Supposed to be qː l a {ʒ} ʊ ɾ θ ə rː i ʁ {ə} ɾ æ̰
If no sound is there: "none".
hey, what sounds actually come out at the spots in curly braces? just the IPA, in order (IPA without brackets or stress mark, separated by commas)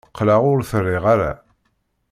ʁ, a